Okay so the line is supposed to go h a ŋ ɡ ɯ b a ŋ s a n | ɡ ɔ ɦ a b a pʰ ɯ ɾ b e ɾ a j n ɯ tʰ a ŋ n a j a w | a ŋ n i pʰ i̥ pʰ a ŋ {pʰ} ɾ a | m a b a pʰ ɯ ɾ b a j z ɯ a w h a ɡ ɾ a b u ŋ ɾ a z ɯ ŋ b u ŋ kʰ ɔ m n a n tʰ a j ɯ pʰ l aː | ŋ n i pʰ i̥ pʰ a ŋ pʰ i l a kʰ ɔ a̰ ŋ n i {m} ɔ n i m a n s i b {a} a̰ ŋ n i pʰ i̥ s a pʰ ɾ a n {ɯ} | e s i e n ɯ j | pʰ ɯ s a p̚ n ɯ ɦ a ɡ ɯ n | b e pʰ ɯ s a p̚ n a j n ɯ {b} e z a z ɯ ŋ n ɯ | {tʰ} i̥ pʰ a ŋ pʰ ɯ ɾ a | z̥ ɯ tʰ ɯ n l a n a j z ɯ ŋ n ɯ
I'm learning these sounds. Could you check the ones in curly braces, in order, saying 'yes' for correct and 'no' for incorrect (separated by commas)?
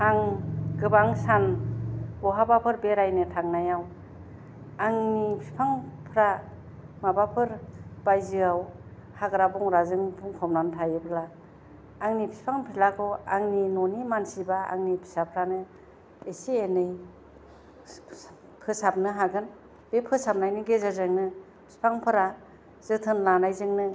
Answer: yes, no, yes, yes, no, no